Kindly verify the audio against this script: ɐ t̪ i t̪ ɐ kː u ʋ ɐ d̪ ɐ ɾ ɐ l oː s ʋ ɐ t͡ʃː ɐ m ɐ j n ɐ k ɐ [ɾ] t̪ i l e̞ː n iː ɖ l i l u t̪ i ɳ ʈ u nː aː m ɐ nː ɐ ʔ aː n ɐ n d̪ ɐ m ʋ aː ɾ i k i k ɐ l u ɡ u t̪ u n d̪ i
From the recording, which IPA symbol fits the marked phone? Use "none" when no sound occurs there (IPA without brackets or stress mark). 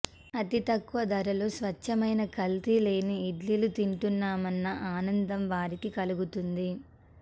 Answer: l